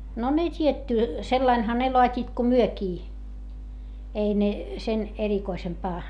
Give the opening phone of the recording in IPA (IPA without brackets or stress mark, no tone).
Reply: n